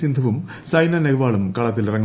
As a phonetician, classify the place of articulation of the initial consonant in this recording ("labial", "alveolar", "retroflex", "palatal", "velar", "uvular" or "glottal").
alveolar